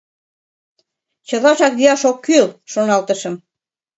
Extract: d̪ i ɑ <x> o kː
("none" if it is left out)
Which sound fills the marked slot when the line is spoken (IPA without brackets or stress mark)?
ʃ